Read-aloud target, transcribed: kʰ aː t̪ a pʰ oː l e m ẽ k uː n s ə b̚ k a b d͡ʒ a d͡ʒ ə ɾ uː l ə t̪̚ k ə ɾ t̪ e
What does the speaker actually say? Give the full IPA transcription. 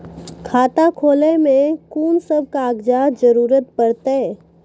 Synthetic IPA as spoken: kʰ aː t̪ a kʰ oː l e m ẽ k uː n s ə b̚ k a ɡ d͡ʒ a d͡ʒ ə ɾ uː ɾ ə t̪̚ p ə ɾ t̪ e